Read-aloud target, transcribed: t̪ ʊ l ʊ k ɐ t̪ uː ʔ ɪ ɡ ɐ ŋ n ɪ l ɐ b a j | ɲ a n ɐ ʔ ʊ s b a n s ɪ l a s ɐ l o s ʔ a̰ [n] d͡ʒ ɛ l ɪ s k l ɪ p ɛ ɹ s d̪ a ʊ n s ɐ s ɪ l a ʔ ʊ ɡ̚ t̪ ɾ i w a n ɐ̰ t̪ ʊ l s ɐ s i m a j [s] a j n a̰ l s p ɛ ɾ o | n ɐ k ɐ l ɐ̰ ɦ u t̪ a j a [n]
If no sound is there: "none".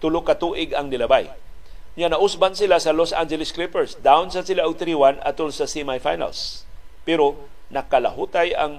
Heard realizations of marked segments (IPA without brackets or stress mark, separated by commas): n, f, ŋ